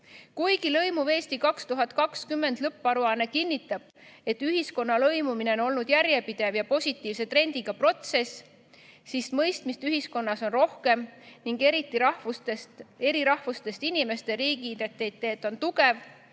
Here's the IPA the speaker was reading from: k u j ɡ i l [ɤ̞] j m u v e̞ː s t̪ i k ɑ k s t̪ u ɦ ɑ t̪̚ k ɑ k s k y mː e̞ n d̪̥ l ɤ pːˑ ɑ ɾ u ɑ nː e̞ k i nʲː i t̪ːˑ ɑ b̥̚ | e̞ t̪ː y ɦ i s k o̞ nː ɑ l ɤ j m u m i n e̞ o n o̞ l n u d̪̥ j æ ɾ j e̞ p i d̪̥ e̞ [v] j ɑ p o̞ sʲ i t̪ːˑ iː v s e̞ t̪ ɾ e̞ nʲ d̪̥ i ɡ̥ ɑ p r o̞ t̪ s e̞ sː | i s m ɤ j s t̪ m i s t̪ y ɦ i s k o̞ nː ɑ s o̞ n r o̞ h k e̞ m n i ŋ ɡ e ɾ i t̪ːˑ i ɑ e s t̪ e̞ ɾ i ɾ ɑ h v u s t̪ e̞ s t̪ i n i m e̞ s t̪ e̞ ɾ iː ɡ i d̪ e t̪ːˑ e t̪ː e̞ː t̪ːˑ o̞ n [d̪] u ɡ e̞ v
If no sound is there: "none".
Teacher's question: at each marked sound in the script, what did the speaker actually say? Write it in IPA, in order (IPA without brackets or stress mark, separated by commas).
ɤ̞, v, t̪